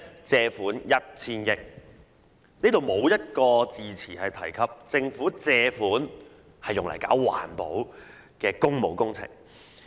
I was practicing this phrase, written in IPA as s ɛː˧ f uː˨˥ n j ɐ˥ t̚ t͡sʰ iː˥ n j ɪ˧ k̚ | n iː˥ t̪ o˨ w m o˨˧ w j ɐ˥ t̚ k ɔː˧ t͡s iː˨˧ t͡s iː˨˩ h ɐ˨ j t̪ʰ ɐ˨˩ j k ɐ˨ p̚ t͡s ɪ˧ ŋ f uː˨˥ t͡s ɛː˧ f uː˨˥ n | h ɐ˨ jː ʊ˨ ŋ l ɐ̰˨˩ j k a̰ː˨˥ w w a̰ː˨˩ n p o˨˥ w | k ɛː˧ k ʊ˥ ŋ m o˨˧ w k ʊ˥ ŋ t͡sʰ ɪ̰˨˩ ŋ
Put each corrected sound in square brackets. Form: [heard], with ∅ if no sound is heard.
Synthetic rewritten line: [t͡s] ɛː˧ f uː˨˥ n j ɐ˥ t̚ t͡sʰ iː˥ n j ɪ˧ k̚ | n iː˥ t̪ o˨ w m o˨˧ w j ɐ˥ t̚ k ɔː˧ t͡s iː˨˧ [t͡sʰ] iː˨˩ h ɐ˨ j t̪ʰ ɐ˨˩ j [kʰ] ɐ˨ p̚ t͡s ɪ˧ ŋ f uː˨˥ t͡s ɛː˧ f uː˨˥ n | h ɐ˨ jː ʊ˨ ŋ l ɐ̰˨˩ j k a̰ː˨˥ w w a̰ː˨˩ n p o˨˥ w | k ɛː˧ k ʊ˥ ŋ m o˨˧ w k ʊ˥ ŋ t͡sʰ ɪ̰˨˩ ŋ

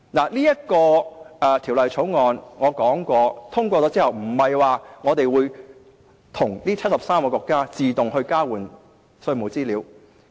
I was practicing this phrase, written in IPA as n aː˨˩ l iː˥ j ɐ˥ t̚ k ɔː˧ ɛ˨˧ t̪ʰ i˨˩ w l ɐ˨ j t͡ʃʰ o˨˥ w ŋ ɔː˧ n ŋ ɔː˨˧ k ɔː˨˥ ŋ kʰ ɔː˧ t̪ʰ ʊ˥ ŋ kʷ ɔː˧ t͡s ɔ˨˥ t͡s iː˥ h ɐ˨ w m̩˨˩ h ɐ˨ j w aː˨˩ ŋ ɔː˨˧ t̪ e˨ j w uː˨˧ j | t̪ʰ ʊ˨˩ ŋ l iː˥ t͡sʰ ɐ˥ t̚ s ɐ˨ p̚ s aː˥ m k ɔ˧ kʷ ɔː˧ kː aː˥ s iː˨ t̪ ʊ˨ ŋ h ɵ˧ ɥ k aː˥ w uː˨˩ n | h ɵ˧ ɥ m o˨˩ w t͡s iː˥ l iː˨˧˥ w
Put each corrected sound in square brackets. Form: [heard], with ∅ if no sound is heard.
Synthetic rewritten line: n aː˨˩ l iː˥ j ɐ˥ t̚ k ɔː˧ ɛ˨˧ t̪ʰ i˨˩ w l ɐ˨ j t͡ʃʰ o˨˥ w ŋ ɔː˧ n ŋ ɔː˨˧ k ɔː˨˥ ŋ [k] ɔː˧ t̪ʰ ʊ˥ ŋ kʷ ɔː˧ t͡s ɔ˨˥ t͡s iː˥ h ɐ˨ w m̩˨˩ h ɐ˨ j w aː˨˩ ŋ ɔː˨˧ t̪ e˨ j w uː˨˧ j | t̪ʰ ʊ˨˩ ŋ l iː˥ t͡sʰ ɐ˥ t̚ s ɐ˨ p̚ s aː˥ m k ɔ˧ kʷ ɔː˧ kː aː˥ [t͡s] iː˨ t̪ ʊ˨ ŋ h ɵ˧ ɥ k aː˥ w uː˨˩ n | [s] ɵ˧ ɥ m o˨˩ w t͡s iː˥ l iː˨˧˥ w

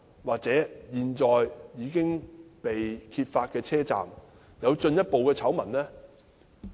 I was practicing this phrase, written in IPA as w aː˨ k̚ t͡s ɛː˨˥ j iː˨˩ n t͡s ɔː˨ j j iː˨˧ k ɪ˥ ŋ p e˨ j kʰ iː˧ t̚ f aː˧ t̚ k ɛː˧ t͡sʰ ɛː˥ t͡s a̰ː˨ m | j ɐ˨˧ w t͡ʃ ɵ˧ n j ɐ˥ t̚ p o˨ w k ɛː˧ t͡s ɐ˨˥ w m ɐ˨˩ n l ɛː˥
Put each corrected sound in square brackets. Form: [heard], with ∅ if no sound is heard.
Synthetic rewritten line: w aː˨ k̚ t͡s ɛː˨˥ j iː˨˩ n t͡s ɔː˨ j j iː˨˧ k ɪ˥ ŋ p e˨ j kʰ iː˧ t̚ f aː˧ t̚ k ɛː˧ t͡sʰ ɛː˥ t͡s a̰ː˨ m | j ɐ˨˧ w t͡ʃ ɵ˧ n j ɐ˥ t̚ p o˨ w k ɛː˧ [t͡sʰ] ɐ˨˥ w m ɐ˨˩ n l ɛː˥

